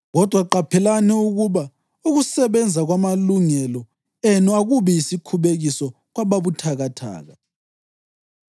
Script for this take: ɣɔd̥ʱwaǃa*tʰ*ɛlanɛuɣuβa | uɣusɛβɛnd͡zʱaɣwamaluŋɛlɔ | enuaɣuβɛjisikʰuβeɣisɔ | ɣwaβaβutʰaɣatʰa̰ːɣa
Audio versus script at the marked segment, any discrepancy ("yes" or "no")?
yes